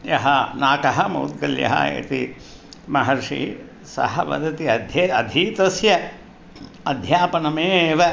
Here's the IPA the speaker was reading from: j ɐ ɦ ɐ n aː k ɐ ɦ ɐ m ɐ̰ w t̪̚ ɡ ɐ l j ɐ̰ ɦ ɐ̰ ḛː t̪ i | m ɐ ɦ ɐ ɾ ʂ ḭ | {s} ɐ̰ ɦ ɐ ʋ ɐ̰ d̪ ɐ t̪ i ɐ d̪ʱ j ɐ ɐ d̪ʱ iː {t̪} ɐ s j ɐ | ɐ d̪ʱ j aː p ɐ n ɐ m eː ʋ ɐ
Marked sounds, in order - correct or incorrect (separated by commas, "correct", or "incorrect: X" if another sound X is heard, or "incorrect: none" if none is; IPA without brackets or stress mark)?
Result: correct, correct